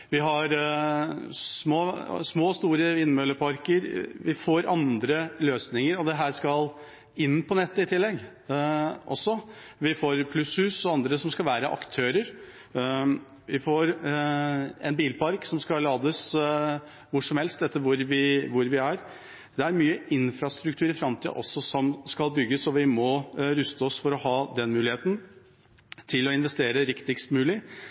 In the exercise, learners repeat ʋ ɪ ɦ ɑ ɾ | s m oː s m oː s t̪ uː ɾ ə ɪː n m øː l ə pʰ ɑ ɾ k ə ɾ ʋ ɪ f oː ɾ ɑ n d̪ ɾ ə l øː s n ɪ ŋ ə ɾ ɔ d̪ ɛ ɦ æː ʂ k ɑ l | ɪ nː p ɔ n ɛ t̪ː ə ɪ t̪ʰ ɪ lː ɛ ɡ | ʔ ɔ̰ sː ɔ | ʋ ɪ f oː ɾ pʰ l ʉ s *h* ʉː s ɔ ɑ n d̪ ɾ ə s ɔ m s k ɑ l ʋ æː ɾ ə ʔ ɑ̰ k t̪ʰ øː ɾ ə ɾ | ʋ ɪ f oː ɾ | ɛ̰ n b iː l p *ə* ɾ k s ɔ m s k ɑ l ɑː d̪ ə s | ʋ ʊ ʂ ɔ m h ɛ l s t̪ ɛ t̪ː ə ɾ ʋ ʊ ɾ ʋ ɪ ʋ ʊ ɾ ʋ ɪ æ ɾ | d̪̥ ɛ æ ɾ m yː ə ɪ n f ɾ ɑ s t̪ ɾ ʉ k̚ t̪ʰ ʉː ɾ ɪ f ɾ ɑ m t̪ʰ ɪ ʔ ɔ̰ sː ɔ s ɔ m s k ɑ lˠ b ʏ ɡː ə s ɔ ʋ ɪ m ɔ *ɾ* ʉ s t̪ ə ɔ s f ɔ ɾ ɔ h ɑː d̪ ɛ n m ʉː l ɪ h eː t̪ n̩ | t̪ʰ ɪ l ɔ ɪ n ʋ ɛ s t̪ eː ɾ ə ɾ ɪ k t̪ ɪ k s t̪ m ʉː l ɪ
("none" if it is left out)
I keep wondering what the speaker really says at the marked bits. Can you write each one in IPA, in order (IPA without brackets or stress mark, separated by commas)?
h, ɑ, ɾ